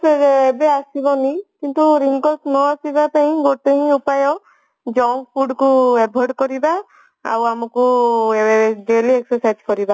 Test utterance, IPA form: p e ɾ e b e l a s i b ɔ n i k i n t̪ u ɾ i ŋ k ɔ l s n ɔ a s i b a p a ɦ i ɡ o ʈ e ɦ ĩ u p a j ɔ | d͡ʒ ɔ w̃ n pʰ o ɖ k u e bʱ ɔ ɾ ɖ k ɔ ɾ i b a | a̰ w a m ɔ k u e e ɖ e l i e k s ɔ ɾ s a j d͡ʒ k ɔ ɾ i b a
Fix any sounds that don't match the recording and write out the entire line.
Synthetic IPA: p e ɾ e b e a s i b ɔ n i k i n t̪ u ɾ i ŋ k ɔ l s n ɔ a s i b a p a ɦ ĩ ɡ o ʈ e ɦ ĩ u p a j ɔ | d͡ʒ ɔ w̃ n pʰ u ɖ k u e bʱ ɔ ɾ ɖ k ɔ ɾ i b a | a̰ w a m ɔ k u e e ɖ e l i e k s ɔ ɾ s a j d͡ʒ k ɔ ɾ i b a